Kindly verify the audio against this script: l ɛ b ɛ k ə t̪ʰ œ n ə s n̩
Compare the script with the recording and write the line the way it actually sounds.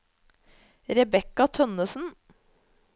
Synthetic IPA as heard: ɾ ɛ b ɛ k ɑ t̪ʰ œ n ə s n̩